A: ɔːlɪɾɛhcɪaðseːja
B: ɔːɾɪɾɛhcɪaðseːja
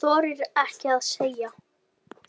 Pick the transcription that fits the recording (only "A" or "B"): B